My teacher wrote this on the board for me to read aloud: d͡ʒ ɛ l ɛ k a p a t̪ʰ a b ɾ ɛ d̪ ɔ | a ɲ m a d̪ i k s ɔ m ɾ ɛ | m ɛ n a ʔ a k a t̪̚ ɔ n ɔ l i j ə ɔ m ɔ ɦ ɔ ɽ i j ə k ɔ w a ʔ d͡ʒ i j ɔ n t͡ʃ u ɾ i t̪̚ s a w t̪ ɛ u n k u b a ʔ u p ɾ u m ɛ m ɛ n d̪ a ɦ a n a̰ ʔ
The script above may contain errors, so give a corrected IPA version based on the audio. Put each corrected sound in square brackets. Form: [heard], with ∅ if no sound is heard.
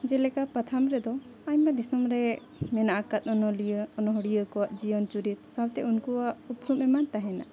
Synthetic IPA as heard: d͡ʒ ɛ l ɛ k a p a t̪ʰ a [m] ɾ ɛ d̪ ɔ | a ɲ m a d̪ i [∅] s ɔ m ɾ ɛ | m ɛ n a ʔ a k a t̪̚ ɔ n ɔ l i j ə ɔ [n] ɔ ɦ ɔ ɽ i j ə k ɔ w a ʔ d͡ʒ i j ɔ n t͡ʃ u ɾ i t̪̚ s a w t̪ ɛ u n k u [w] a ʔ u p ɾ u m ɛ m [a] n [t̪] a ɦ [ɛ] n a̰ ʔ

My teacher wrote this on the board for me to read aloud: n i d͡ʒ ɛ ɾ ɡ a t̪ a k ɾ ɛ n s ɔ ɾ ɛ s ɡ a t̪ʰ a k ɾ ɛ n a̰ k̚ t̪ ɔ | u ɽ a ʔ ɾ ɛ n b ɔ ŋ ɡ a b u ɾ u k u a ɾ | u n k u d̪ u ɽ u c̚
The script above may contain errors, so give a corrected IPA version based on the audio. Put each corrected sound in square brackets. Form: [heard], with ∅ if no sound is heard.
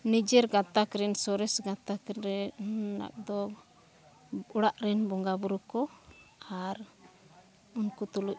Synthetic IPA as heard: n i d͡ʒ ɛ ɾ ɡ a t̪ a k ɾ ɛ n s ɔ ɾ ɛ s ɡ a [t̪] a k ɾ ɛ n a̰ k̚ [d̪] ɔ | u ɽ a ʔ ɾ ɛ n b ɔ ŋ ɡ a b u ɾ u k [ɔ] a ɾ | u n k u [t̪] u [l] u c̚

